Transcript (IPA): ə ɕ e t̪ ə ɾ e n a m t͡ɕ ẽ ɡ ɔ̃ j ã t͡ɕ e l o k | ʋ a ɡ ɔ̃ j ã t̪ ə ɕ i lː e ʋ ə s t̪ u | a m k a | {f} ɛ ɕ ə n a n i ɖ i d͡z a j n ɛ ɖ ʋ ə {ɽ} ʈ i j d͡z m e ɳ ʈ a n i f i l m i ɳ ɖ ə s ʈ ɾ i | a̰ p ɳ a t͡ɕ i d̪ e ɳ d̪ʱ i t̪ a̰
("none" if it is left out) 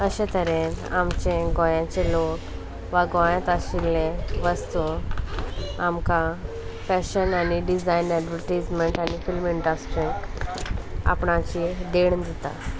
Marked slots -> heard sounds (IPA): f, ɾ

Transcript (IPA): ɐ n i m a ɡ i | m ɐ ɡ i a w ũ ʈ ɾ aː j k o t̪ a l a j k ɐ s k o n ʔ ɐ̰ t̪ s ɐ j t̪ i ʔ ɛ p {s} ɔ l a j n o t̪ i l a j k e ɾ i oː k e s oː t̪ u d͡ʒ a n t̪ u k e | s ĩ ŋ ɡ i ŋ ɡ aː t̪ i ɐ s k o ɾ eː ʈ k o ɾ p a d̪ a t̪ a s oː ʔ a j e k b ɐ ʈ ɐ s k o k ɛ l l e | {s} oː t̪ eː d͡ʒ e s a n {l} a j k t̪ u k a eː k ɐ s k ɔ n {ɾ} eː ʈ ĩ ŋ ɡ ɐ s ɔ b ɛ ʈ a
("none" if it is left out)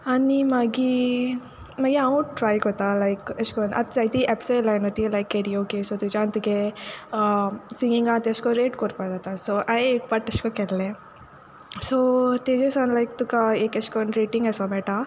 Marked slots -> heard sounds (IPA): s, s, l, ɾ

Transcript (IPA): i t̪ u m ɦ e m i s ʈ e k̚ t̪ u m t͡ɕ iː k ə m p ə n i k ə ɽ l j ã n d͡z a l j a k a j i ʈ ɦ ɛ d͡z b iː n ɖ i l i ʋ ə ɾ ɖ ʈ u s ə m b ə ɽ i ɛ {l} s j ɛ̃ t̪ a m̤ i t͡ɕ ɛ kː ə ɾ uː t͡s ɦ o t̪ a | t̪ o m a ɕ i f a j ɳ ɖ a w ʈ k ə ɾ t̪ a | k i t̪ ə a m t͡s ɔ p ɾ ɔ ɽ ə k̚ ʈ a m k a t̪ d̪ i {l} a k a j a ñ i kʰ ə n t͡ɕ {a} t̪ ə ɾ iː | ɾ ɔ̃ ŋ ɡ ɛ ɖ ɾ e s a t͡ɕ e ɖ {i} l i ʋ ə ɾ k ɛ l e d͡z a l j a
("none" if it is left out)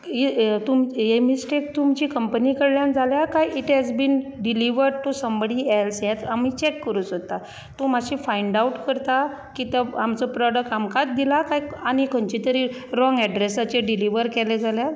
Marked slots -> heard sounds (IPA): l, l, i, i

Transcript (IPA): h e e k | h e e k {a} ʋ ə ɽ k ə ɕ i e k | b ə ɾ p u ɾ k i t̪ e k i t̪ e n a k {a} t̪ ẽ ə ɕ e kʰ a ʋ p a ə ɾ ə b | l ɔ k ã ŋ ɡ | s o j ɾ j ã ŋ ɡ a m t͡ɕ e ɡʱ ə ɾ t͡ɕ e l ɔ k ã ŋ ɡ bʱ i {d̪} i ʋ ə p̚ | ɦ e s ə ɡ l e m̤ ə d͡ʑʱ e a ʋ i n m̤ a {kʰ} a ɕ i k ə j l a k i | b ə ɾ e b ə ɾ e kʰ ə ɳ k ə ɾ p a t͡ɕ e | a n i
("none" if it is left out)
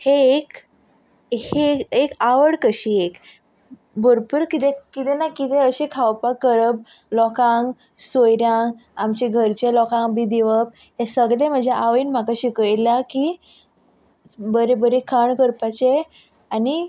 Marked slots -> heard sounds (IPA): a, i, d̪, k

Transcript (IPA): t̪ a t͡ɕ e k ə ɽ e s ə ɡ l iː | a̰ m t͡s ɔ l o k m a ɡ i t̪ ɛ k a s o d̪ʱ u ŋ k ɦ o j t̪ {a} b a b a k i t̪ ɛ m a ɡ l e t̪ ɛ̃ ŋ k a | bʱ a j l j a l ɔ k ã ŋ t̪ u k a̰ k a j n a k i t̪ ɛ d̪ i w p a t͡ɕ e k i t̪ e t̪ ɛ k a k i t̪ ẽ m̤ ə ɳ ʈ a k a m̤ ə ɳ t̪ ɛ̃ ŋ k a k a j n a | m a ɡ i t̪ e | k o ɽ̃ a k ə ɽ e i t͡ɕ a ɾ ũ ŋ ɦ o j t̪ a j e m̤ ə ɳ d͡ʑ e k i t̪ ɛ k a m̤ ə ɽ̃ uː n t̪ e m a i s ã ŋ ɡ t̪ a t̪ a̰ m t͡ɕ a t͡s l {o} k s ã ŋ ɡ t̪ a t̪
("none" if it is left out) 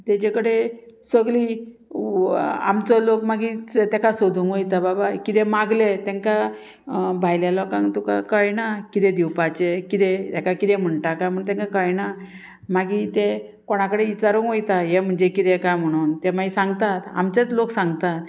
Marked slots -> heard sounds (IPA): a, o

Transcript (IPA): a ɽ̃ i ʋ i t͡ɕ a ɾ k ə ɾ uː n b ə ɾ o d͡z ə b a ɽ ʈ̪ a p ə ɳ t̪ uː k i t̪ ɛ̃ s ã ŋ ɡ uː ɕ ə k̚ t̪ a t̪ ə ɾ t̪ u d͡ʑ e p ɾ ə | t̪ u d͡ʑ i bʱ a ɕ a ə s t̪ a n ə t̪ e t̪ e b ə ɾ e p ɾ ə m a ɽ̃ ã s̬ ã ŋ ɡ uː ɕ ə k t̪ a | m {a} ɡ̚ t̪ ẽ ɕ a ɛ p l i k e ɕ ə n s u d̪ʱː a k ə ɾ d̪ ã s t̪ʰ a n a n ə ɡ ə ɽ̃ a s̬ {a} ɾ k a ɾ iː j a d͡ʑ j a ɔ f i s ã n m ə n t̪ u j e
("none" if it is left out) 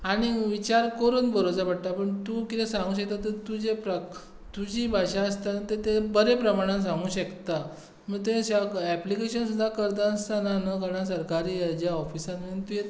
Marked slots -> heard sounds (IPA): ə, ə

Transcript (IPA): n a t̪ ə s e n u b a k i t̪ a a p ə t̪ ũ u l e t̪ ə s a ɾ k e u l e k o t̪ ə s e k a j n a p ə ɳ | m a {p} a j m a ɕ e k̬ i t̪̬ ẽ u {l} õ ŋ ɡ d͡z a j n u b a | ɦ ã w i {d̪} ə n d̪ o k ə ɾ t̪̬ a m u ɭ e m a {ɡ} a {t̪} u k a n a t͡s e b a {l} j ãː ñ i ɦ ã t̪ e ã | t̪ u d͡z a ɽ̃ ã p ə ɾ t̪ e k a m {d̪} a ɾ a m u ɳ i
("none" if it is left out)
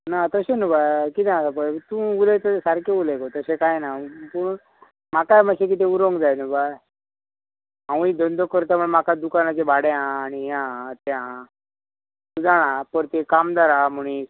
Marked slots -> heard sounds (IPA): k, ɾ, d̪, k, d̪, ɽ, d̪

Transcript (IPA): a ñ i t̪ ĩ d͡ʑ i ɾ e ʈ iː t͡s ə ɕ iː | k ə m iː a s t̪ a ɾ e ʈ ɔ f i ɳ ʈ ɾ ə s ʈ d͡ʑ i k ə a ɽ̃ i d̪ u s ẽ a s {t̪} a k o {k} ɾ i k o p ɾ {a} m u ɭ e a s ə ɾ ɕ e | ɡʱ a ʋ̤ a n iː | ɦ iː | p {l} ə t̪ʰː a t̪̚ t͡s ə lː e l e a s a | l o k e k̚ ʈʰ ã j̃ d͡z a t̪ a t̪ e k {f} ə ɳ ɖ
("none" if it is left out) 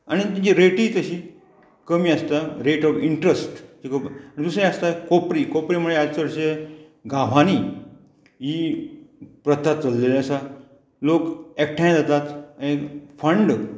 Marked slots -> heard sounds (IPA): t̪, p, i, ɾ, f

